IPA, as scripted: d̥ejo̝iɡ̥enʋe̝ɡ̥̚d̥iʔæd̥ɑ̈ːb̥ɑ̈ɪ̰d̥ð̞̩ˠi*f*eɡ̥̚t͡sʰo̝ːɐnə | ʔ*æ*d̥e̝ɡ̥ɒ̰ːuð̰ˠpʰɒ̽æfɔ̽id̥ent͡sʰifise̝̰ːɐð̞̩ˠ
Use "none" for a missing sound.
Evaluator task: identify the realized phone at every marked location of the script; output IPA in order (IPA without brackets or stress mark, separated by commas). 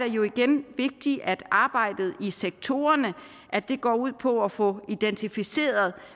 s, æ